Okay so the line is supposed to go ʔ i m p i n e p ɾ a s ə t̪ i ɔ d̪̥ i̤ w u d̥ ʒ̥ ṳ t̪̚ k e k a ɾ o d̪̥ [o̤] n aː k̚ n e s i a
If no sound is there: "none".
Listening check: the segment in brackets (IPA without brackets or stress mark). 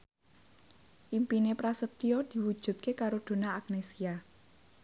o̤